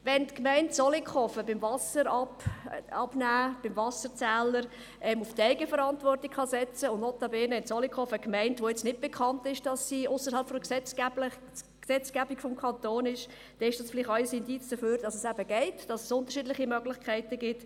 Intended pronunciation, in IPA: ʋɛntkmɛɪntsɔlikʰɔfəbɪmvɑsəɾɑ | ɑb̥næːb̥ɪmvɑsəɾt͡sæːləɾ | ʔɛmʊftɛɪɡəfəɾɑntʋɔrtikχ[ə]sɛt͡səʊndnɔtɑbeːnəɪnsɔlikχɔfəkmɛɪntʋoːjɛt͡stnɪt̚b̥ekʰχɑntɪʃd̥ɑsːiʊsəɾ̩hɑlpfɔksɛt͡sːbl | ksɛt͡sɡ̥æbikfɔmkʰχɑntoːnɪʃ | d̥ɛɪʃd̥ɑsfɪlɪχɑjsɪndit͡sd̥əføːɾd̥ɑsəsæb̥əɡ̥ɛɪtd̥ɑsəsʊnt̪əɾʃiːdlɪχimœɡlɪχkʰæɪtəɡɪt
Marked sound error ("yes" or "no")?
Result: yes